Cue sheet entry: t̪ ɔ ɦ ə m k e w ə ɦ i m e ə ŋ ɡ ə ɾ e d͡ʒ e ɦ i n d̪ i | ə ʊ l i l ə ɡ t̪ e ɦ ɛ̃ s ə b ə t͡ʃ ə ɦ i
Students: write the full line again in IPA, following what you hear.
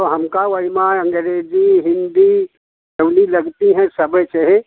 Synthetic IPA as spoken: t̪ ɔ ɦ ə m k a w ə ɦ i m a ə ŋ ɡ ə ɾ e d͡ʒ i ɦ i n d̪ i | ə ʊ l i l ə ɡ t̪ i ɦ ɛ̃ s ə b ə t͡ʃ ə ɦ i